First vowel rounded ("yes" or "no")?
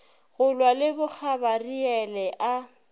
yes